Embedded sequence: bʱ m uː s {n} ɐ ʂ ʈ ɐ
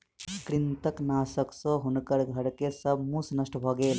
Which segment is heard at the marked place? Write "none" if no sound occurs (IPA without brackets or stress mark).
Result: n